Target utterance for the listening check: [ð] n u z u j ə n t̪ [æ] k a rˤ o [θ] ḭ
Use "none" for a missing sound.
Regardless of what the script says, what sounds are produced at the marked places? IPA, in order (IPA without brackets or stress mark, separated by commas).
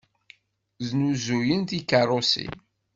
z, i, s